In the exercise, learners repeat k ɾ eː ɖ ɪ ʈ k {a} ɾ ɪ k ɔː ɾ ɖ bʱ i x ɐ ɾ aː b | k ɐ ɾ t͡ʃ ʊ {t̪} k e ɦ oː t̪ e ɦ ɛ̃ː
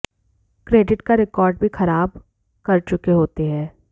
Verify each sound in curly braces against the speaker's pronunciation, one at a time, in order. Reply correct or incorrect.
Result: correct, incorrect

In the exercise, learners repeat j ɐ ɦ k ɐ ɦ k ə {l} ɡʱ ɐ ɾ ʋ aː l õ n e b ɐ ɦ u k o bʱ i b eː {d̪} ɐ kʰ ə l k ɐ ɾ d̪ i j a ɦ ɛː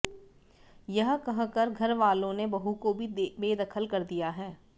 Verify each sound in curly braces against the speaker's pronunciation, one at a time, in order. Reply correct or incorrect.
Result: incorrect, correct

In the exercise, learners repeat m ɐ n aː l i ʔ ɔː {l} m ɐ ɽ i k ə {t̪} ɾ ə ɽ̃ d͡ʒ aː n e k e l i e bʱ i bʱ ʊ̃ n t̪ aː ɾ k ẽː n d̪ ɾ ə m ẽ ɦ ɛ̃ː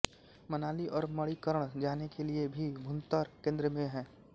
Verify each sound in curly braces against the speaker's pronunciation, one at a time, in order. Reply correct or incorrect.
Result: incorrect, incorrect

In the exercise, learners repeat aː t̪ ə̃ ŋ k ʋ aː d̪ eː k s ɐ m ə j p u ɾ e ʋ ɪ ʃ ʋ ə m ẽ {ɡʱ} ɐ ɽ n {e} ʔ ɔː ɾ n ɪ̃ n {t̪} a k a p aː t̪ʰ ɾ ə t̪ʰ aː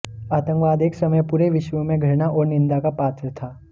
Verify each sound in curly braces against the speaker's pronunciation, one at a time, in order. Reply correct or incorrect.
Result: correct, incorrect, incorrect

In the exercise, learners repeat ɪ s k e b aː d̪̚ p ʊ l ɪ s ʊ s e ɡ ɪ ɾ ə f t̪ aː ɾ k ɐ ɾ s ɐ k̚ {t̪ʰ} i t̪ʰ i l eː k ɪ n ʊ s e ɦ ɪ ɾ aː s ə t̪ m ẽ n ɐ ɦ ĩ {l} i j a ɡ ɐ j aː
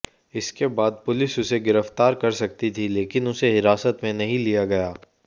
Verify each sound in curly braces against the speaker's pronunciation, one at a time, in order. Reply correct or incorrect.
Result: incorrect, correct

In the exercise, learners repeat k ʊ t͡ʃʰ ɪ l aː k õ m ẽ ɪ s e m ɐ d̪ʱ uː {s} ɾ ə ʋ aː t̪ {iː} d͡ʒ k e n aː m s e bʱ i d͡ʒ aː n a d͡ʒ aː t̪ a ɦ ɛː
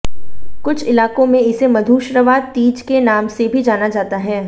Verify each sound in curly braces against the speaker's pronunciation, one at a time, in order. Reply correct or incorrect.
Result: incorrect, correct

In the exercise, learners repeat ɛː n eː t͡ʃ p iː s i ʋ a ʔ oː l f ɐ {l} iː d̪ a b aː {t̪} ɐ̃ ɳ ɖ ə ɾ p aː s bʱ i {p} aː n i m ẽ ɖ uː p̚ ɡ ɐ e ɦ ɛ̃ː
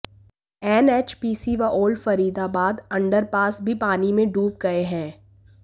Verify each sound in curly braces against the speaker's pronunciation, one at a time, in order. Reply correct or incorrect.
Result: incorrect, incorrect, correct

